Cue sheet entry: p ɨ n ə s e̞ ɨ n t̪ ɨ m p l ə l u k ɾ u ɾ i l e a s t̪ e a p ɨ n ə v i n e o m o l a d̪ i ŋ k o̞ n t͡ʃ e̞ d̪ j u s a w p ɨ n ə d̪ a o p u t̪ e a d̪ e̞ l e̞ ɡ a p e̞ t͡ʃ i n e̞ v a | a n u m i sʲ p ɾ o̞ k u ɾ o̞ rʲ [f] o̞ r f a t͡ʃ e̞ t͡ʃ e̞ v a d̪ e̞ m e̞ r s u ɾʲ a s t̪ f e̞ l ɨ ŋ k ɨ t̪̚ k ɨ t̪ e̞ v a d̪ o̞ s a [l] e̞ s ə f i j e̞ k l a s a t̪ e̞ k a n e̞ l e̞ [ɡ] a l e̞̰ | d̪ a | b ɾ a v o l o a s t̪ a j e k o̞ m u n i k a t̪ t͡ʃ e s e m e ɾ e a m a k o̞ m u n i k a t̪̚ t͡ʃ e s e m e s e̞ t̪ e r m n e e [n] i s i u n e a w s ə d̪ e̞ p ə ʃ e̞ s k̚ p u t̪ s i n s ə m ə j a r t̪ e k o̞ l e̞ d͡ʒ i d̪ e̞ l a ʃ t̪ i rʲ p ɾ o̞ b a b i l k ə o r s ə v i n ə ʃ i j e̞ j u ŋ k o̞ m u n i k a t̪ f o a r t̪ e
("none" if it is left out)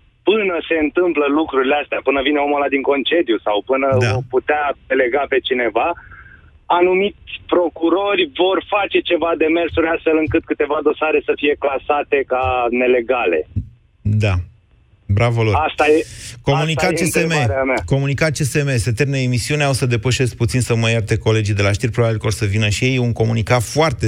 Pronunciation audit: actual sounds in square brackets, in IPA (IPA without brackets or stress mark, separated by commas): v, ɾ, ɡ, m